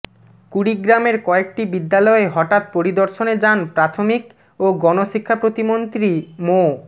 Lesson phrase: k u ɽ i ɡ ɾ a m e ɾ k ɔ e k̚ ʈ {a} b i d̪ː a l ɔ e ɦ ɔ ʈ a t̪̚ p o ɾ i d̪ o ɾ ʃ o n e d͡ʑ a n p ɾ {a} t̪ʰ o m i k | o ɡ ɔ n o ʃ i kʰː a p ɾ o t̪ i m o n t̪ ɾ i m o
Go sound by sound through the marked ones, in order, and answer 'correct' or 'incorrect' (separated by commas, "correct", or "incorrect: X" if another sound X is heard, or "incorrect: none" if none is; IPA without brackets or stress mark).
incorrect: i, correct